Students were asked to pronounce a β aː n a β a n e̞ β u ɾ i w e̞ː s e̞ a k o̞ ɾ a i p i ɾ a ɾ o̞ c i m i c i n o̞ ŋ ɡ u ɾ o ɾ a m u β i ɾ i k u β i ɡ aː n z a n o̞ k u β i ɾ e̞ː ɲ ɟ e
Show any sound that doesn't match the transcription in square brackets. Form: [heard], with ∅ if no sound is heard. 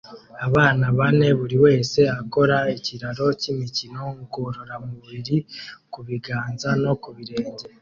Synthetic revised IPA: a β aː n a β a n e̞ β u ɾ i w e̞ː s e̞ a k o̞ ɾ a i [c] i ɾ a ɾ o̞ c i m i c i n o̞ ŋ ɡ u ɾ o ɾ a m u β i ɾ i k u β i ɡ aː n z a n o̞ k u β i ɾ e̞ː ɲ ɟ e